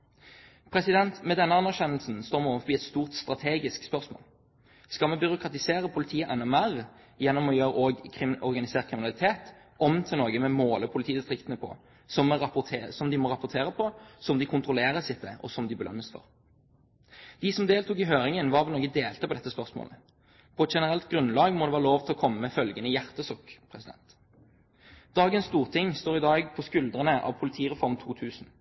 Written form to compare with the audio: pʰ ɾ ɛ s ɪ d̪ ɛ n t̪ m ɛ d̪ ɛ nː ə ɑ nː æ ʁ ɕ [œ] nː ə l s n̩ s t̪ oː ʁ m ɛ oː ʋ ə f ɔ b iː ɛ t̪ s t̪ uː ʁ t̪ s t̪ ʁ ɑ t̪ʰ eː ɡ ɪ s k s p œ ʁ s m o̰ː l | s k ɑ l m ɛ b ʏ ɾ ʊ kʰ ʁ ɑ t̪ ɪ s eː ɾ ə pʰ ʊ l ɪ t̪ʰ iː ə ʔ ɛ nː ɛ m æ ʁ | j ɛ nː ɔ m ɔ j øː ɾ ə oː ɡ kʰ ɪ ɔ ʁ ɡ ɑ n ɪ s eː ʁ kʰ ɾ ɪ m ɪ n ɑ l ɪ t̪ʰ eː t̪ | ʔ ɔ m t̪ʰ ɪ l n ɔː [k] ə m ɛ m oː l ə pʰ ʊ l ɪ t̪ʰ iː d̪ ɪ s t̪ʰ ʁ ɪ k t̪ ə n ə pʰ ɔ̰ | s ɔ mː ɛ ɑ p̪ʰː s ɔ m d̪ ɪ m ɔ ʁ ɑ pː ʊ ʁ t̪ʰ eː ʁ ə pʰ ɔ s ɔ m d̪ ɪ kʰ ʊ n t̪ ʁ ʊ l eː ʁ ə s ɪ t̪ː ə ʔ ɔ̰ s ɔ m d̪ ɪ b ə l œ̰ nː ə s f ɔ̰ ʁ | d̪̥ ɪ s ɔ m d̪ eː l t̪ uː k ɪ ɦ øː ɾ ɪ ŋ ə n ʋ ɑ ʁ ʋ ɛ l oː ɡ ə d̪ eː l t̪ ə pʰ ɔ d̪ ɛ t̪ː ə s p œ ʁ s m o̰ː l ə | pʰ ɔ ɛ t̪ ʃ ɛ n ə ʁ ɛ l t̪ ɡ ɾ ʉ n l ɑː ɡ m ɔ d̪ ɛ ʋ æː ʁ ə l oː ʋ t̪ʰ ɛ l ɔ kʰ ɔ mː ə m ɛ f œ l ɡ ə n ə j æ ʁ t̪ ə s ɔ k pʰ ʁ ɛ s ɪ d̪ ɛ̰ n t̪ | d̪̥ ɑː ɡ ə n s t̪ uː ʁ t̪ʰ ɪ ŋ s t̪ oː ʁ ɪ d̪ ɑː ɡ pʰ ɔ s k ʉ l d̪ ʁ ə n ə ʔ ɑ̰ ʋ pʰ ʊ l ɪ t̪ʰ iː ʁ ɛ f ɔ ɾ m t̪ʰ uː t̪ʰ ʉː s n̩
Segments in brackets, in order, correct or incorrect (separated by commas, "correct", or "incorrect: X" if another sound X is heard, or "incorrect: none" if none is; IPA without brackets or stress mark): incorrect: ɛ, incorrect: ɡ